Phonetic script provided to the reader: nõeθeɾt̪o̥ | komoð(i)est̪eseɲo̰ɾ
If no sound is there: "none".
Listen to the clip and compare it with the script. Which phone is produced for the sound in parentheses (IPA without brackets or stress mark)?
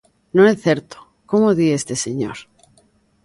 i